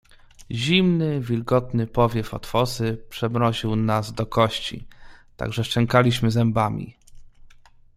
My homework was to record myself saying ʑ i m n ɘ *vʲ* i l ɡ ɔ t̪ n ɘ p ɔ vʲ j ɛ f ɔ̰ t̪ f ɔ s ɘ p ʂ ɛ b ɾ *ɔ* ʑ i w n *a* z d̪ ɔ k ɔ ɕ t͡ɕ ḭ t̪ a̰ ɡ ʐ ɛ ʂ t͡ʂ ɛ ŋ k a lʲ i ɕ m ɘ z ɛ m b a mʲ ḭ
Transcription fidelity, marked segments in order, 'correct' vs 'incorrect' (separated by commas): correct, correct, correct